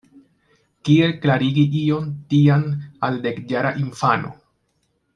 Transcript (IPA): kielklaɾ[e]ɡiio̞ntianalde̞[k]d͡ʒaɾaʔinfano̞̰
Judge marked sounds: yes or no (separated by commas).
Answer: no, yes